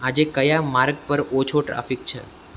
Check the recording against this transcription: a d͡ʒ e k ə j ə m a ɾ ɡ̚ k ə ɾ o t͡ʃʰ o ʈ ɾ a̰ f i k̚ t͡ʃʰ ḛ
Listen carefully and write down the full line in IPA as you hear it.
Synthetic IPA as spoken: a d͡ʒ e k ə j a m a ɾ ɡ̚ p ə ɾ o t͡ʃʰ o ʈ ɾ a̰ f i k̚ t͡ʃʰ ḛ

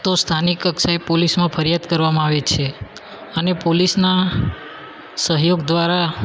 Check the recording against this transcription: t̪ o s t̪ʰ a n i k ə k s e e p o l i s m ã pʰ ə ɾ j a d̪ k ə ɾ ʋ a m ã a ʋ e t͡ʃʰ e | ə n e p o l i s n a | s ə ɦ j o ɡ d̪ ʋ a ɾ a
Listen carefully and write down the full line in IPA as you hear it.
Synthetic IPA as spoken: t̪ o s t̪ʰ a n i k ə k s a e p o l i s m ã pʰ ə ɾ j a d̪ k ə ɾ ʋ a m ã a ʋ e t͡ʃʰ e | ə n e p o l i s n a | s ə ɦ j o ɡ d̪ ʋ a ɾ a

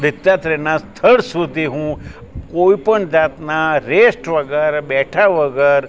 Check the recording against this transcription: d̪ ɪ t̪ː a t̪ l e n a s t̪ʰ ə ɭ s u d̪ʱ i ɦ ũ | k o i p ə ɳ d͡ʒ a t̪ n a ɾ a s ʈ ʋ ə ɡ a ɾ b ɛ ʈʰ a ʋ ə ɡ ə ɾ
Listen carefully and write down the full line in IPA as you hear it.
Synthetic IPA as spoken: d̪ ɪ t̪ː a t̪ ɾ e n a s t̪ʰ ə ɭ s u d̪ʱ i ɦ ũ | k o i p ə ɳ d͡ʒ a t̪ n a ɾ e s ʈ ʋ ə ɡ ə ɾ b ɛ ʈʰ a ʋ ə ɡ ə ɾ

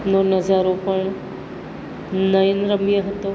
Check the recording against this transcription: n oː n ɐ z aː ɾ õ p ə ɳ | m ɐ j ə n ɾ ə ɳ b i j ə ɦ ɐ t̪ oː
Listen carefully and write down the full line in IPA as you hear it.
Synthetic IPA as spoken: n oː n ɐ z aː ɾ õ p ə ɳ | n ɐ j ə n ɾ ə m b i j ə ɦ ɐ t̪ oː

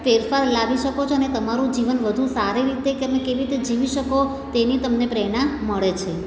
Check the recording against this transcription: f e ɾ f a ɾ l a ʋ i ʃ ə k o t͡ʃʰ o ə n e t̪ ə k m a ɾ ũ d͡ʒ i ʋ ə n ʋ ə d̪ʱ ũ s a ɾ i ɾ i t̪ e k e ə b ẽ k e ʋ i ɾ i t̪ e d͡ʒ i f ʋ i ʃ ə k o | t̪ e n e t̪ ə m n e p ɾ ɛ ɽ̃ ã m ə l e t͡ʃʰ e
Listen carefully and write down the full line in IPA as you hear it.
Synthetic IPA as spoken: f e ɾ f a ɾ l a ʋ i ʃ ə k o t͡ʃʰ o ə n e t̪ ə m a ɾ ũ d͡ʒ i ʋ ə n ʋ ə d̪ʱ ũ s a ɾ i ɾ i t̪ e k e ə m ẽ k e ʋ i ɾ i t̪ e d͡ʒ i ʋ i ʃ ə k o | t̪ e n i t̪ ə m n e p ɾ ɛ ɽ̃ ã m ə ɭ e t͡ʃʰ e

